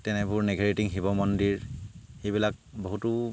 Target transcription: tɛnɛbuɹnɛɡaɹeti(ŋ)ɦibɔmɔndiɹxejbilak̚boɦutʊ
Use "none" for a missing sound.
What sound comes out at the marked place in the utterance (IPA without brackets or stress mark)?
ŋ